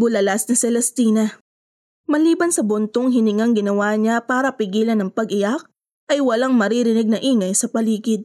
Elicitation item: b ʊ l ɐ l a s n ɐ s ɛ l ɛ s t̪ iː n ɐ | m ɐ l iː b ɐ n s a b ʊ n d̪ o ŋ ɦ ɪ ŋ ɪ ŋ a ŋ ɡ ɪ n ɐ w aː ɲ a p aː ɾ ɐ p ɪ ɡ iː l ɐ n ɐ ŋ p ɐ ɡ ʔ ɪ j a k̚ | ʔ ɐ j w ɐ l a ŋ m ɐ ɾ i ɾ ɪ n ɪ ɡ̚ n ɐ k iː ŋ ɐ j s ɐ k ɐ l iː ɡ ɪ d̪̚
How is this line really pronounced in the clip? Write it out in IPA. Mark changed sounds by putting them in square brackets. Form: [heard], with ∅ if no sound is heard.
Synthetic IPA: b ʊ l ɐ l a s n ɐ s ɛ l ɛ s t̪ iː n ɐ | m ɐ l iː b ɐ n s [ɐ] b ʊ n [t̪] o ŋ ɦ ɪ [n] ɪ ŋ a ŋ ɡ ɪ n ɐ w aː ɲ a p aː ɾ ɐ p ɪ ɡ iː l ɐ n ɐ ŋ p ɐ ɡ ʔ ɪ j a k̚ | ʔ ɐ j w ɐ l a ŋ m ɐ ɾ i ɾ ɪ n ɪ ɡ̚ n ɐ [ʔ] iː ŋ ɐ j s ɐ [p] ɐ l iː ɡ ɪ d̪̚